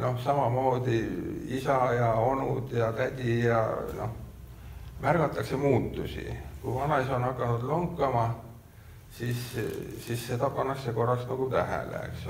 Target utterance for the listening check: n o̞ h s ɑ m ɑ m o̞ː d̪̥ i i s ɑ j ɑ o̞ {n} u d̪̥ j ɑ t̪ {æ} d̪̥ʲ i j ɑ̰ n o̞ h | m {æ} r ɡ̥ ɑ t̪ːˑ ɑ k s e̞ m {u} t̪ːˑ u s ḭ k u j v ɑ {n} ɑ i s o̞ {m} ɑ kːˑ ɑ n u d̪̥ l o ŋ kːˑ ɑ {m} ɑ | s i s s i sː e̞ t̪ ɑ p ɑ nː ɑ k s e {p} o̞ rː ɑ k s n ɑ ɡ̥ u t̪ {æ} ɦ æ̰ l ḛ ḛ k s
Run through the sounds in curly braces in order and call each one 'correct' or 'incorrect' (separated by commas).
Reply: correct, correct, correct, incorrect, correct, incorrect, correct, incorrect, correct